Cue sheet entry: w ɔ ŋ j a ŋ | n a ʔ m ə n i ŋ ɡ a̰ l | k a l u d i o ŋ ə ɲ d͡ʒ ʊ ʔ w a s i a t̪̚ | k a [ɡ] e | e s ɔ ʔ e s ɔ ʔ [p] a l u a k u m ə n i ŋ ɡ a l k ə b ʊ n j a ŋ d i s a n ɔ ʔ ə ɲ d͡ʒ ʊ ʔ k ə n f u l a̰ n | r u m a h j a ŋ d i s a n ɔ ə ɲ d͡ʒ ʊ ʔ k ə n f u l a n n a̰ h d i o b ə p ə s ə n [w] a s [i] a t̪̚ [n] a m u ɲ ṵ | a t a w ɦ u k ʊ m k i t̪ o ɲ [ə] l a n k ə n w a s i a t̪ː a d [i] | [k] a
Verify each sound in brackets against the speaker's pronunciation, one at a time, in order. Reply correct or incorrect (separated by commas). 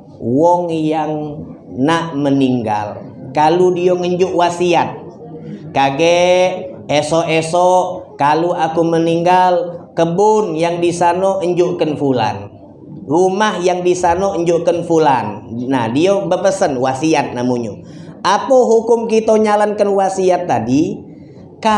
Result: correct, incorrect, correct, correct, correct, incorrect, correct, correct